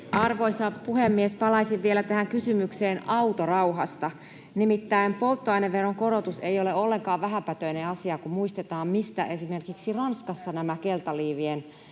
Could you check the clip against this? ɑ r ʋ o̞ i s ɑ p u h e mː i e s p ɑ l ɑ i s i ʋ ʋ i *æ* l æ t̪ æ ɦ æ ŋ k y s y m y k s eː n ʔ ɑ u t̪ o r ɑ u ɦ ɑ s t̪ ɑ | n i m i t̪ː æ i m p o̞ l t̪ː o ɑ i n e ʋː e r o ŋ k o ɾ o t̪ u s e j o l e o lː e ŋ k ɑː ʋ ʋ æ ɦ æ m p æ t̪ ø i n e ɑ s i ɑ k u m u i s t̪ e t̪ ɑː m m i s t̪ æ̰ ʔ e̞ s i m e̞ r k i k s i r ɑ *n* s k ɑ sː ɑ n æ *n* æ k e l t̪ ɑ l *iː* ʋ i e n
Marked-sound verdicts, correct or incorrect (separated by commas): incorrect, correct, incorrect, correct